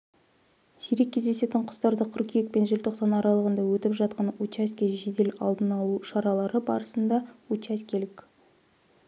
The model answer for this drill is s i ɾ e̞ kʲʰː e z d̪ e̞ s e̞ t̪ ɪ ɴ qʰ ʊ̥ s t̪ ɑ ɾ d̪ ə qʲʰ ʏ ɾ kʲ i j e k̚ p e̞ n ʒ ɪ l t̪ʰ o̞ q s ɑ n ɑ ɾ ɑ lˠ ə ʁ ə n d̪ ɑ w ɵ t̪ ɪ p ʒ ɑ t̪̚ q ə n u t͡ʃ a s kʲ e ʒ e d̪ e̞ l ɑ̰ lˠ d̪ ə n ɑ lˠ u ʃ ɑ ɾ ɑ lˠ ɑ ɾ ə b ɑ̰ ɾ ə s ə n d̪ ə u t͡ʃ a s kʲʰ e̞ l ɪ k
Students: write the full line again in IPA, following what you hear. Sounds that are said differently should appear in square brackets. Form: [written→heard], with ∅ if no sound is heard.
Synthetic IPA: s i ɾ e̞ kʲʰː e z d̪ e̞ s e̞ t̪ ɪ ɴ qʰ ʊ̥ s t̪ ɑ ɾ d̪ ə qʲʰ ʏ ɾ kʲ i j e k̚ p e̞ n ʒ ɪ l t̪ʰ o̞ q s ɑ n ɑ ɾ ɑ lˠ ə ʁ ə n d̪ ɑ w ɵ t̪ ɪ p ʒ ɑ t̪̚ q [ə→ɑ] n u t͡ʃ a s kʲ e ʒ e d̪ e̞ l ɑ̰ lˠ d̪ ə n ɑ lˠ u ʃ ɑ ɾ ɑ lˠ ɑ ɾ ə b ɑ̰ ɾ ə s ə n d̪ [ə→ɑ] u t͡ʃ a s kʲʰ e̞ l ɪ k